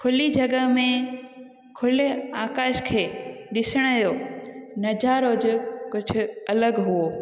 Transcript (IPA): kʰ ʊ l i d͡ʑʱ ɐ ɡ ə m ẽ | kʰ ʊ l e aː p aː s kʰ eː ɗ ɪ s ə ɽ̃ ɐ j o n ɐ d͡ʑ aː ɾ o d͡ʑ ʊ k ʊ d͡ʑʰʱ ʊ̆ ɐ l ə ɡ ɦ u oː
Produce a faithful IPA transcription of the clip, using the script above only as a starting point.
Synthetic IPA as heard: kʰ ʊ l i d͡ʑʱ ɐ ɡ ə m ẽ | kʰ ʊ l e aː k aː ʃ kʰ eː ɗ ɪ s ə ɽ̃ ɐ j o n ɐ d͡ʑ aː ɾ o d͡ʑ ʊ k ʊ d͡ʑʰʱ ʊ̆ ɐ l ə ɡ ɦ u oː